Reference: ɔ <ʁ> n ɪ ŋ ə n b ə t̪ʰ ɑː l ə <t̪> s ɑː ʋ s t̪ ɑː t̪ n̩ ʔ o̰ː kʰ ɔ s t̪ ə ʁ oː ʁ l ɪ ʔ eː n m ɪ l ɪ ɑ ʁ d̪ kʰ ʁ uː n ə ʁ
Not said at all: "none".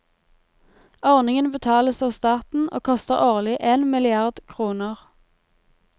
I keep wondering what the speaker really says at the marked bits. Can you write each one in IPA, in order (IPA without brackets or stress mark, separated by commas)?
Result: ʁ, none